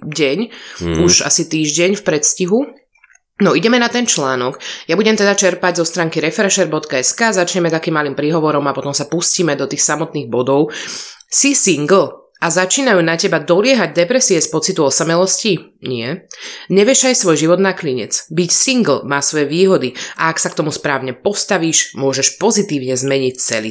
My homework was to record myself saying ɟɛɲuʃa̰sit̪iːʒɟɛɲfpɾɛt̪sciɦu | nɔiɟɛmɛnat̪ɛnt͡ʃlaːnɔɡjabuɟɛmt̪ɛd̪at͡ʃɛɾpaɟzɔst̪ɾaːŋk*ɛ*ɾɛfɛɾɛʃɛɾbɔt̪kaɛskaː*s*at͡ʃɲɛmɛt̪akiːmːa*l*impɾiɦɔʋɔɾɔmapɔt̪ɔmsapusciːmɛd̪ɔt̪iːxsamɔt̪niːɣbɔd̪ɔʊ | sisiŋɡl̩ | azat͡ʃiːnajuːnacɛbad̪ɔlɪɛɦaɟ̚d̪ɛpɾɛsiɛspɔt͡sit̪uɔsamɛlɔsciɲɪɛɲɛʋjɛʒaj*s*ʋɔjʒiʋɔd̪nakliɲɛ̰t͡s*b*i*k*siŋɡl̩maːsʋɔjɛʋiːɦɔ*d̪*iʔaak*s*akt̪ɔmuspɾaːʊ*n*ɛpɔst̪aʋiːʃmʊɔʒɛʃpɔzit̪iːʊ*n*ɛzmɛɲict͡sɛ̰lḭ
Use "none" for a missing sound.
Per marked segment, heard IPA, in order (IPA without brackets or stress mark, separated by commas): i, z, l, s, b, c, d̪, s, ɲ, ɲ